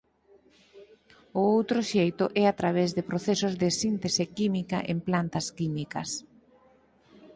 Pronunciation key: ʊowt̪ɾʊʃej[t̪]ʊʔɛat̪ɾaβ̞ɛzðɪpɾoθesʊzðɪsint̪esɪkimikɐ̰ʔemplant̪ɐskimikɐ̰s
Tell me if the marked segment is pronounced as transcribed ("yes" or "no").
yes